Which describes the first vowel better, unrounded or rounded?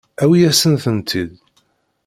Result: unrounded